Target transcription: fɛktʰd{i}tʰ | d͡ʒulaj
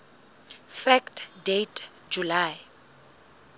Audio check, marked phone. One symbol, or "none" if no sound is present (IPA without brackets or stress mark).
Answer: e